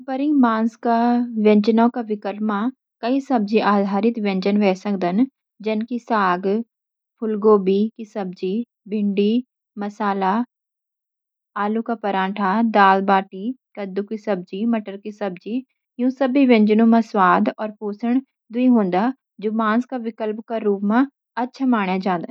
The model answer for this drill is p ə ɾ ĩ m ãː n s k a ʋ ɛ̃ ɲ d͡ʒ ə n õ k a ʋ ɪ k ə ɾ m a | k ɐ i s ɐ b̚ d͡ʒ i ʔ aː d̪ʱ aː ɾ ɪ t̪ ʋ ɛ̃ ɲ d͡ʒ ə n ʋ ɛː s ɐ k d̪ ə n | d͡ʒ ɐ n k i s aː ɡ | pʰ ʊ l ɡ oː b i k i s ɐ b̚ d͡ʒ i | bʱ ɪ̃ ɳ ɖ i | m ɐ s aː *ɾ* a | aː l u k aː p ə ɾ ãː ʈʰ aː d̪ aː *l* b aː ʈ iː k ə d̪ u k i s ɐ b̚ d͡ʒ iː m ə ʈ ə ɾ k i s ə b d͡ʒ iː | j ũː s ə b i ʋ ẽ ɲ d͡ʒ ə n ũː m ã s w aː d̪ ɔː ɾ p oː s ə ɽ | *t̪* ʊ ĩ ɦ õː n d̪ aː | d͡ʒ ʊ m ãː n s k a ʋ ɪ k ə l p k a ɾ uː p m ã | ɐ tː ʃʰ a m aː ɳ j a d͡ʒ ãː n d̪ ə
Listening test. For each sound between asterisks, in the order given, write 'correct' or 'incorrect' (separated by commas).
incorrect, correct, incorrect